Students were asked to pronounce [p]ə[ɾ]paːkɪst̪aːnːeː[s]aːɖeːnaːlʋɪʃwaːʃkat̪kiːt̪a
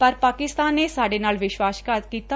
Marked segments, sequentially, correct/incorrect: correct, correct, correct

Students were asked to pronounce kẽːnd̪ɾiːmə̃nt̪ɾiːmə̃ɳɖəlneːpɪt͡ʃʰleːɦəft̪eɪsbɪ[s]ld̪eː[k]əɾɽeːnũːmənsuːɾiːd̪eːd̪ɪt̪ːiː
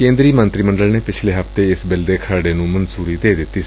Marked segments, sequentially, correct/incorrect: incorrect: none, incorrect: kʰ

